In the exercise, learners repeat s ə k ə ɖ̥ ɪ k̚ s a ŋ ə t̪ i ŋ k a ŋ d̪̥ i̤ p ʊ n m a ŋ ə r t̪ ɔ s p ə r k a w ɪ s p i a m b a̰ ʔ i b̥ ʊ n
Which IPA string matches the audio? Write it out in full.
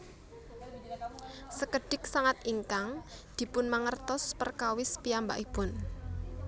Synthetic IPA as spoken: s ə k ə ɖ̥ ɪ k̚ s a ŋ a t̪ i ŋ k a ŋ d̪̥ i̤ p ʊ n m a ŋ ə r t̪ ɔ s p ə r k a w ɪ s p i a m b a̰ ʔ i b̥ ʊ n